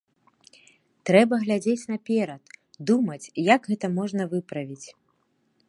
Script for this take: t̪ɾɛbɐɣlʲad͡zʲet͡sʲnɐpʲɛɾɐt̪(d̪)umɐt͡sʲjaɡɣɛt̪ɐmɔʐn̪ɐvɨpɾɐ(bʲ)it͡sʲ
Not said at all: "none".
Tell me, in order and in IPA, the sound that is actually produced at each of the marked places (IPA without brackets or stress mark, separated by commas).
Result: d̪, vʲ